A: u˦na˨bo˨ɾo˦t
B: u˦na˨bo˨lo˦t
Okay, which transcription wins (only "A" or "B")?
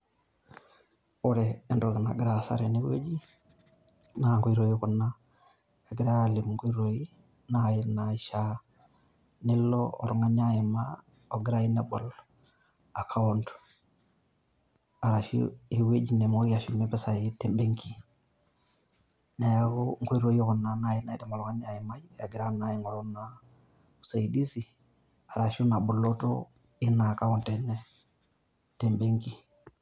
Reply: B